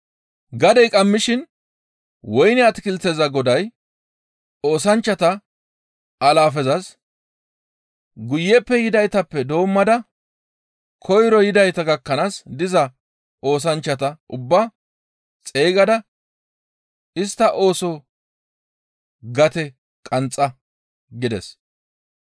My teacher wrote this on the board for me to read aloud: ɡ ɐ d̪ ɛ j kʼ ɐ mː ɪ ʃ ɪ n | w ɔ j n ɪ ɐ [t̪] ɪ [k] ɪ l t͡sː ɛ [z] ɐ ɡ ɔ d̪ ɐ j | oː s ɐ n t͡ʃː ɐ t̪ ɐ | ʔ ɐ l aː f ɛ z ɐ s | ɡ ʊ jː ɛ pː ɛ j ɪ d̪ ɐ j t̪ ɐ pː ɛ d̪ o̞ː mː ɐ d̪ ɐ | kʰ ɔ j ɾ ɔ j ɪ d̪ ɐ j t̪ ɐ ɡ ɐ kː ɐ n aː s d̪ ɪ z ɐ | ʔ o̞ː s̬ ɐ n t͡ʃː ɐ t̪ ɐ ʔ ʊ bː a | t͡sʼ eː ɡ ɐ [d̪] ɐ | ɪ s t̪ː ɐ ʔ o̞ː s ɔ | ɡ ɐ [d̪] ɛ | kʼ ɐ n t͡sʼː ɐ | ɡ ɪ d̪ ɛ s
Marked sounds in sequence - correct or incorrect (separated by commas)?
correct, correct, correct, correct, incorrect